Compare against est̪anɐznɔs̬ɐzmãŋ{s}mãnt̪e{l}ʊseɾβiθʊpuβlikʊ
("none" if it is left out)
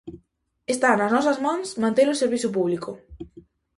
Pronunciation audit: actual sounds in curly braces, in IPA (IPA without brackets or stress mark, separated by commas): s, l